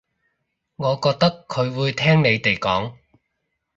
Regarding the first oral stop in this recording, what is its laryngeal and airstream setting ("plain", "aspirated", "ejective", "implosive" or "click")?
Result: plain